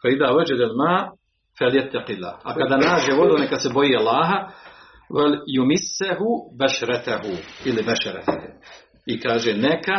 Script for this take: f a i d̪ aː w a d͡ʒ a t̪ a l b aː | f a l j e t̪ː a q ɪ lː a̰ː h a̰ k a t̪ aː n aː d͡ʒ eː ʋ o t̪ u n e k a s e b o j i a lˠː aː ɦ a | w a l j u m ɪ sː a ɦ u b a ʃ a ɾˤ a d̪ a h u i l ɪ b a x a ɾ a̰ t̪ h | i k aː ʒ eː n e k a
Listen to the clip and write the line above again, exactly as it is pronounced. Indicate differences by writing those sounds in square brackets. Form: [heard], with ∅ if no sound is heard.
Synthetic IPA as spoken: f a i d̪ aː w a d͡ʒ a [d̪] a l [m] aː | f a l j [a] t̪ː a q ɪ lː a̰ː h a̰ k a [d̪] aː n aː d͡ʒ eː ʋ o [d̪] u n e k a s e b o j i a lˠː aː ɦ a | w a l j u m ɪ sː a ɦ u b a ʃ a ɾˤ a [t̪] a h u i l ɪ b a [ʃ] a ɾ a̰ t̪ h | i k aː ʒ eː n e k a